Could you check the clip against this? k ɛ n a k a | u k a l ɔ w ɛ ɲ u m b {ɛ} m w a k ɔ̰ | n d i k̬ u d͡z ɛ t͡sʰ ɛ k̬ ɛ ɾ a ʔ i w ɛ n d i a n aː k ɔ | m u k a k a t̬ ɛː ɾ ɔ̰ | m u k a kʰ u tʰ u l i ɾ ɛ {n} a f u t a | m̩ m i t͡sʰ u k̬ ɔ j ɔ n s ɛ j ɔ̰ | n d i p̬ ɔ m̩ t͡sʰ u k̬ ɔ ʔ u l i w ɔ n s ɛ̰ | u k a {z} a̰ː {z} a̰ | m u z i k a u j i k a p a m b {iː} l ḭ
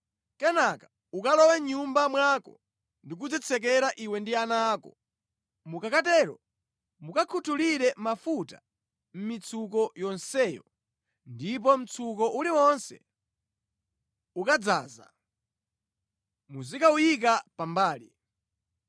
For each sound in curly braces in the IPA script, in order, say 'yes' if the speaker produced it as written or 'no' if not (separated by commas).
no, no, no, yes, no